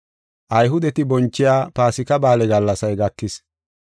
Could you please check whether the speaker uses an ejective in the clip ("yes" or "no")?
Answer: no